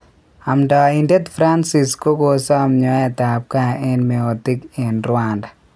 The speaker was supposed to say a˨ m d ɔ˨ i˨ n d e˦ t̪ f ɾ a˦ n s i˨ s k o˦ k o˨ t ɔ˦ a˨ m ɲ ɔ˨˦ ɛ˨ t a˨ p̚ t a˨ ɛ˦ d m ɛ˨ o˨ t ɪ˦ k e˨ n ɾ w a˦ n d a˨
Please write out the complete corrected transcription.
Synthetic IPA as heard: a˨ m d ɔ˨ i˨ n d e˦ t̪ f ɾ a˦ n s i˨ s k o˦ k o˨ s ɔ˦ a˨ m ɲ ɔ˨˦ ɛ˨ t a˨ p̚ k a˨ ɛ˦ n m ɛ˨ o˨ t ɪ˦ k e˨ n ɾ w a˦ n d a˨